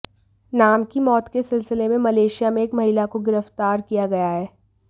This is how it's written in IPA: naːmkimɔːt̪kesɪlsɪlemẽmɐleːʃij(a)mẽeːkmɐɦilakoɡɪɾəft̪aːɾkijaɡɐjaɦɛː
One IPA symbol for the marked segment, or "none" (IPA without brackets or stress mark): a